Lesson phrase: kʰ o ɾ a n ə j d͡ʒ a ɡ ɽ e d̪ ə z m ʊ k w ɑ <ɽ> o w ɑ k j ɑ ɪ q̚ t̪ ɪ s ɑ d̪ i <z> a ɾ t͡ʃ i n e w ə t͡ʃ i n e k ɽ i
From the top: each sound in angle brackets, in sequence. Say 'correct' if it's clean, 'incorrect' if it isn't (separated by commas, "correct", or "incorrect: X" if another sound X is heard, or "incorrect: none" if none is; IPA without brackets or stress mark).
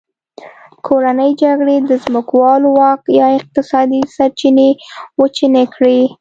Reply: incorrect: l, incorrect: s